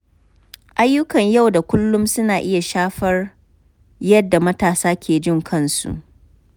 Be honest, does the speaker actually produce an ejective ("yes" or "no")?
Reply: no